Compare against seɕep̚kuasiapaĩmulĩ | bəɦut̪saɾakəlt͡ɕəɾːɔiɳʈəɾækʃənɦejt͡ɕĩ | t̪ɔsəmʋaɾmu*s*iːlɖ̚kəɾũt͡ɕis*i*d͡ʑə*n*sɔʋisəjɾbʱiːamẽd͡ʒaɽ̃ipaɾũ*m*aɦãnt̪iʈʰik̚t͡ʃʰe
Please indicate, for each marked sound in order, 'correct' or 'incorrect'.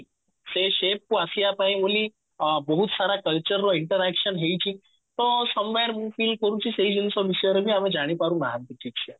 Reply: incorrect, incorrect, correct, incorrect

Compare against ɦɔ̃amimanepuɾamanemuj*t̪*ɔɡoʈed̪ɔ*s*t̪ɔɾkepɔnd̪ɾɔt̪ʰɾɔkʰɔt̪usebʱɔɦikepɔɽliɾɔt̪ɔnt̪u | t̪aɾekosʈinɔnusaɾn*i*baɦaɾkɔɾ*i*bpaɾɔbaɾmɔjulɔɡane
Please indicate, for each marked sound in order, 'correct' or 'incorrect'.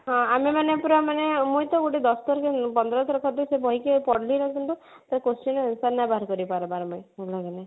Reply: correct, correct, incorrect, correct

